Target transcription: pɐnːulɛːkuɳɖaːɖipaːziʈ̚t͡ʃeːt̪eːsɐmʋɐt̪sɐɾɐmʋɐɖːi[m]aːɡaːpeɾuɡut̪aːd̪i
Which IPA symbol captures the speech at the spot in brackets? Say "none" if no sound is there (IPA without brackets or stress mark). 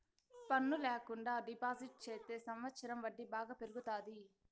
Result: b